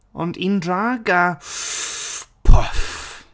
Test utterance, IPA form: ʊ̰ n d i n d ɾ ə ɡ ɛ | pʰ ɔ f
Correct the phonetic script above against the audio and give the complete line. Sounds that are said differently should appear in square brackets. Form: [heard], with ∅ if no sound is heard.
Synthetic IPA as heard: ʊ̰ n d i n d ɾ [a] ɡ [a] | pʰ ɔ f

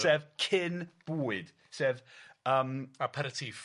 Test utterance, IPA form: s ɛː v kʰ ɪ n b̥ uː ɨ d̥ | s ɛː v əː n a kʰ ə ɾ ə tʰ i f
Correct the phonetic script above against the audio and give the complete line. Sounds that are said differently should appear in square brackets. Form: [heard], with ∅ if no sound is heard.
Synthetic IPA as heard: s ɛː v kʰ ɪ n b̥ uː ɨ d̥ | s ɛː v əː [m] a [pʰ] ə ɾ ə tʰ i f

